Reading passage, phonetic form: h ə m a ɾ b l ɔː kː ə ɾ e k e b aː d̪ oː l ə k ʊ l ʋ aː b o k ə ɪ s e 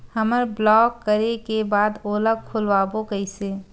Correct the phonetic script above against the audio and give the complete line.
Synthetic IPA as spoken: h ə m ə ɾ b l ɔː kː ə ɾ e k e b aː d̪ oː l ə kʰ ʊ l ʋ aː b o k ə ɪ s e